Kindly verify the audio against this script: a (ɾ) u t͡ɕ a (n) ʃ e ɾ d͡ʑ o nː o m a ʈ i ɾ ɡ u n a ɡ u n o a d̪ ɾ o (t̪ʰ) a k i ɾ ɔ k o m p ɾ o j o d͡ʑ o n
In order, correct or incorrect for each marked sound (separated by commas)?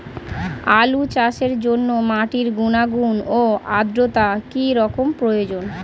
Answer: incorrect, incorrect, incorrect